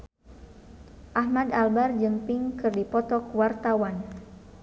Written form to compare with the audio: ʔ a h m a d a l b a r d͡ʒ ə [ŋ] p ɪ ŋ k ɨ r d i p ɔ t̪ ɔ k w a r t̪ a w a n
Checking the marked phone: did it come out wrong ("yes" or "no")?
yes